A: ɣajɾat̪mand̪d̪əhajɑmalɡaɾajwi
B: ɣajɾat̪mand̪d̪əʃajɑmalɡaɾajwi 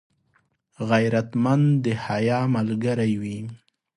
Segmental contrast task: A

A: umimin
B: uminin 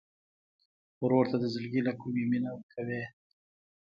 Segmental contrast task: A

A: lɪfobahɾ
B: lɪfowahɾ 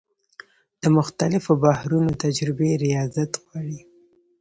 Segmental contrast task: A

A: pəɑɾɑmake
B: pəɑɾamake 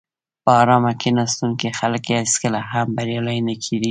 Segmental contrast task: A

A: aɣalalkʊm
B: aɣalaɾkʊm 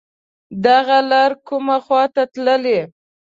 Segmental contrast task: B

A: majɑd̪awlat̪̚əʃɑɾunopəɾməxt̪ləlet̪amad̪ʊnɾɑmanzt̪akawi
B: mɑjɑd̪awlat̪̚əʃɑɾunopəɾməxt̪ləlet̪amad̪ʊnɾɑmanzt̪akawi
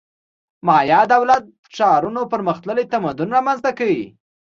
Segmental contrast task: B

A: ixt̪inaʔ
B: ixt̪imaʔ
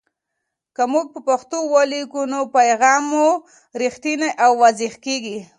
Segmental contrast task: A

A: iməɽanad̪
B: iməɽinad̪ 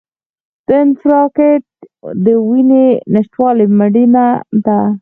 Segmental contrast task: B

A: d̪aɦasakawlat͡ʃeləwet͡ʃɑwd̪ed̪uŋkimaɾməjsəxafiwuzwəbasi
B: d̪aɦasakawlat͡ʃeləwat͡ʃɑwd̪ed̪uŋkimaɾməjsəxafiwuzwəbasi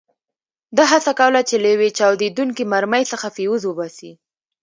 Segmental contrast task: A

